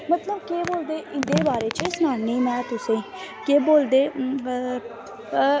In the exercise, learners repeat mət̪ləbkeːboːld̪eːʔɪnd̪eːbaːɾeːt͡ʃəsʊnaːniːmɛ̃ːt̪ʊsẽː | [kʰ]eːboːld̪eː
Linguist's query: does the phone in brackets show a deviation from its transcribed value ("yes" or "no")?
yes